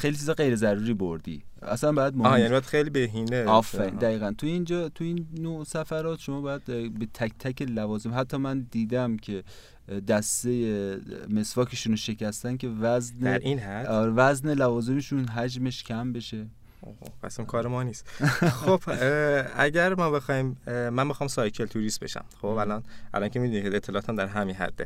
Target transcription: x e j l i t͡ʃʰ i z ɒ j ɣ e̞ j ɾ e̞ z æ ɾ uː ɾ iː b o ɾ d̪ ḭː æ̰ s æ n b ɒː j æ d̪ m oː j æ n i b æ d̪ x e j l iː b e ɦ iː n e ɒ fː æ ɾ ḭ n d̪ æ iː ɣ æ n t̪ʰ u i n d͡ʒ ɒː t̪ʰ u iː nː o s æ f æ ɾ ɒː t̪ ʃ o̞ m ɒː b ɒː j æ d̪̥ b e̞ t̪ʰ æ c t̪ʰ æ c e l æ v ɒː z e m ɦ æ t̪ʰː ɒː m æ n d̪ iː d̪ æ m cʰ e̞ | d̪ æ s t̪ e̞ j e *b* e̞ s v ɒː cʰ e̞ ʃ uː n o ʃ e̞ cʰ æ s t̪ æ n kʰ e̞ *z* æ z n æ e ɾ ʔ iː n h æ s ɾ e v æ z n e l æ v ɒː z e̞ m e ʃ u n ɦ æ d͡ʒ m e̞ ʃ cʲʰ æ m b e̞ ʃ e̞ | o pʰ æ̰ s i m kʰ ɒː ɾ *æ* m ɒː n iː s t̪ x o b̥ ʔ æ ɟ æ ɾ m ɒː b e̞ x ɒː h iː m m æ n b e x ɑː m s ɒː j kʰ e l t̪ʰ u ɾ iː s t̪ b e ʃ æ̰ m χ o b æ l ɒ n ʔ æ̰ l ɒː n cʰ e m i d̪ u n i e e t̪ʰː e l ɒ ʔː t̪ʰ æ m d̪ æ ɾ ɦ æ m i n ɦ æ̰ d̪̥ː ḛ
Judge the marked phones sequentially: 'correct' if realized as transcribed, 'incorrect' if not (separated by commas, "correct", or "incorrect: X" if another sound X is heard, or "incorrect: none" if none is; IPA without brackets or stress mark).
incorrect: m, incorrect: v, incorrect: e